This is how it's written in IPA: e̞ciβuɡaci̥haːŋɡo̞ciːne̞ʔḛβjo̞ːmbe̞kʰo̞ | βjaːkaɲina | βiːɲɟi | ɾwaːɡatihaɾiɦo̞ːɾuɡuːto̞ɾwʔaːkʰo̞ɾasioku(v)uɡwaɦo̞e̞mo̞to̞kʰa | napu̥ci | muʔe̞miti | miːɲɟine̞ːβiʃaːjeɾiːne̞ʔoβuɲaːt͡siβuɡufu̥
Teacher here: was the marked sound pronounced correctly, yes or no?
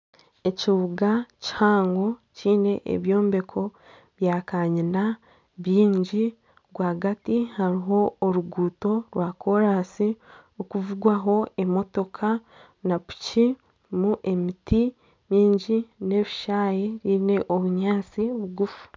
yes